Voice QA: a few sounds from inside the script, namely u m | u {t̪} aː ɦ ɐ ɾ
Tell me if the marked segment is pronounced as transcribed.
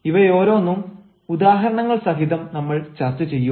no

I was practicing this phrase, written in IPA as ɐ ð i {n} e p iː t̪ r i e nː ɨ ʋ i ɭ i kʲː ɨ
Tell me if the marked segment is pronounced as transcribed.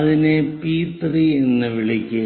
yes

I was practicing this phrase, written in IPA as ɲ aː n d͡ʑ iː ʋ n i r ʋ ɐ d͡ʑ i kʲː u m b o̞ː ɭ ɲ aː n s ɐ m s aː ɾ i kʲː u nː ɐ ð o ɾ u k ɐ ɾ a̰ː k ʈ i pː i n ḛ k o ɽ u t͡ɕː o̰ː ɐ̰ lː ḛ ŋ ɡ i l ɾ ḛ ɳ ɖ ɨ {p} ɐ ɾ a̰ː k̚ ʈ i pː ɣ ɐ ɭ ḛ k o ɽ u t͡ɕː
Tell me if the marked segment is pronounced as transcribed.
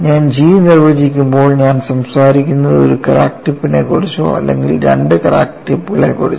no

